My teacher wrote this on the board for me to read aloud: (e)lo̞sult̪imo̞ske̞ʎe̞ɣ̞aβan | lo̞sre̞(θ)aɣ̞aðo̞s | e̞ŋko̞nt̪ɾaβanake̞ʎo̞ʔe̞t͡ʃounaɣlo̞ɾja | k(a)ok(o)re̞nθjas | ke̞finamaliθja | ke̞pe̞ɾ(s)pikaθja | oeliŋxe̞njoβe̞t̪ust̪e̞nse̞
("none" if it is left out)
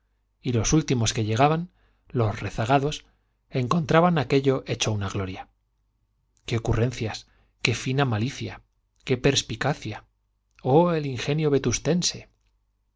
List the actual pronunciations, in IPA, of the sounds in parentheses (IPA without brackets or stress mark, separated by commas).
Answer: i, θ, e, u, s